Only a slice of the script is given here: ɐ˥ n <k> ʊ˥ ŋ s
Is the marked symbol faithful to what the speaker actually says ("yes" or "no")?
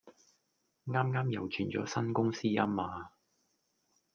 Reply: yes